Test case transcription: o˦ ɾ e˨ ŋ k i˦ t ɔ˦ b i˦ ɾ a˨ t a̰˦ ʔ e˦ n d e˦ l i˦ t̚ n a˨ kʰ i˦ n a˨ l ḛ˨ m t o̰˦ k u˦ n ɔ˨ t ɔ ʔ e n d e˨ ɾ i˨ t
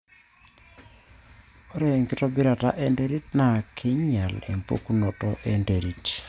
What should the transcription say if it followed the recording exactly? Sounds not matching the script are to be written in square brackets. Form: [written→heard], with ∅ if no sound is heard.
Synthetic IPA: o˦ ɾ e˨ ŋ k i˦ t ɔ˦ b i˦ ɾ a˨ t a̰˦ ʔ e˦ n d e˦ [l→ɾ] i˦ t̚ n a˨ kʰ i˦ [n→ɲ] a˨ l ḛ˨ m [t→p] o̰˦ k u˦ n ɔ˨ t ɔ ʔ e n d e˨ ɾ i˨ t